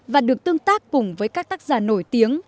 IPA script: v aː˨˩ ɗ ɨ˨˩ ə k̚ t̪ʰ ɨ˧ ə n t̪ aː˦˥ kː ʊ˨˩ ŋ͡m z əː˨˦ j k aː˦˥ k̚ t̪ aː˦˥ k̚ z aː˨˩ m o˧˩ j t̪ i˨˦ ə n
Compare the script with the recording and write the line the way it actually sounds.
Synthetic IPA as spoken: v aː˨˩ ɗ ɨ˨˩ ə k̚ t̪ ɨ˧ ə ŋ t̪ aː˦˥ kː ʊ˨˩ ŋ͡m v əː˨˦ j k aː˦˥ k̚ t̪ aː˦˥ k̚ z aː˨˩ n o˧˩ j t̪ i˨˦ ə ŋ